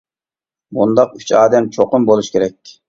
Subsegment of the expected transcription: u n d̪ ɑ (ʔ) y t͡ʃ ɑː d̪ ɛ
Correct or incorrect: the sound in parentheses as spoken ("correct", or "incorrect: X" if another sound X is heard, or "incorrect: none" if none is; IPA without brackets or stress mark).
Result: incorrect: q